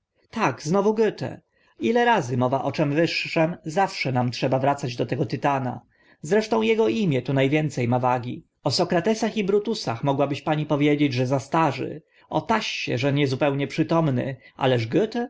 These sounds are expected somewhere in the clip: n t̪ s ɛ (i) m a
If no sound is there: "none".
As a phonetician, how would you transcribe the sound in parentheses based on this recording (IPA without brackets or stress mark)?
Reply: j